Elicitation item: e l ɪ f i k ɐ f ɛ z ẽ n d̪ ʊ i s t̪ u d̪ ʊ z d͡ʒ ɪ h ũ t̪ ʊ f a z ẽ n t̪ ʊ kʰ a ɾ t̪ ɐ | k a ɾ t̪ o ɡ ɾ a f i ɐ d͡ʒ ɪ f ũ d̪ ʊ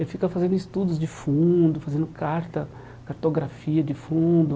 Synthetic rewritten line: e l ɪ f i k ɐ f a z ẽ n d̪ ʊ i s t̪ u d̪ ʊ z d͡ʒ ɪ f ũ d̪ ʊ f a z ẽ n d̪ ʊ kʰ a ɾ t̪ ɐ | k a ɾ t̪ o ɡ ɾ a f i ɐ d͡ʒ ɪ f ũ d̪ ʊ